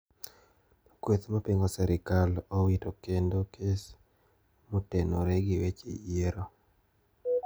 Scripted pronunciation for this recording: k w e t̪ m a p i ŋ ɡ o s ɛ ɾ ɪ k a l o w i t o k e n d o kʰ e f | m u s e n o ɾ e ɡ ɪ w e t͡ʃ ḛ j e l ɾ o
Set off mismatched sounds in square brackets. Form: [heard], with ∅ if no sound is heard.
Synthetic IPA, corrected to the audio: k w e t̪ m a p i ŋ ɡ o s ɛ ɾ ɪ k a l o w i t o k e n d o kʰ e [s] | m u [t] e n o ɾ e ɡ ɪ w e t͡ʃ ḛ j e [∅] ɾ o